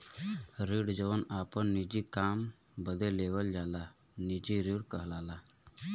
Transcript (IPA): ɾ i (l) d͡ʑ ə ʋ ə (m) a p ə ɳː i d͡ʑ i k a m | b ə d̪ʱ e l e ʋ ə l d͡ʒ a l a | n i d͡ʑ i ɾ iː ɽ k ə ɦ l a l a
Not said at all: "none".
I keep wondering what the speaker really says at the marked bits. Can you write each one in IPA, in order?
ɽ, n

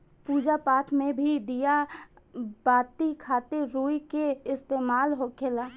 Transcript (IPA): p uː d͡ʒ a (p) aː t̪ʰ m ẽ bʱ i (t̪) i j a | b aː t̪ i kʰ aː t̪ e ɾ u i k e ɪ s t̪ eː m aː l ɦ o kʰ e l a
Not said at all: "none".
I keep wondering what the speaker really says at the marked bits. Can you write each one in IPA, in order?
p, d̪

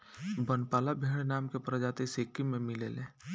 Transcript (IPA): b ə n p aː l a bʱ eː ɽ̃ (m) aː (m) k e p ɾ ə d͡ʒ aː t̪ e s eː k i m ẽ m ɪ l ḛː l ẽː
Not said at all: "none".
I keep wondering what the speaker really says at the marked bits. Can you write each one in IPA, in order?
n, m

